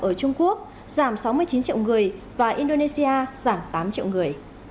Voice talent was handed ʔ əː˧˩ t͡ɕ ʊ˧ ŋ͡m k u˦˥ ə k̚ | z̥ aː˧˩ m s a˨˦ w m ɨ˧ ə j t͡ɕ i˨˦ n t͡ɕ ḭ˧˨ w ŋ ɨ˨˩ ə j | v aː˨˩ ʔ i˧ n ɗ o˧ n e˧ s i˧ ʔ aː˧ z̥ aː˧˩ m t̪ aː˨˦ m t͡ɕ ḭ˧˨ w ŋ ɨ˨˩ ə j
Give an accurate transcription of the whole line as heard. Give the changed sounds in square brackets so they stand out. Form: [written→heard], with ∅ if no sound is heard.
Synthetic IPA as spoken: ʔ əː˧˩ t͡ɕ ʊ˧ ŋ͡m k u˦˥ ə k̚ | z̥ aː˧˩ m s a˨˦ w m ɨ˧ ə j t͡ɕ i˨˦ n t͡ɕ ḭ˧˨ w ŋ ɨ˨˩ ə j | v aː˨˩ ʔ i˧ n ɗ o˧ n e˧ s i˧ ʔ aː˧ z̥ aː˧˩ m t̪ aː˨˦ m t͡ɕ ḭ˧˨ w ŋ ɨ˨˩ ə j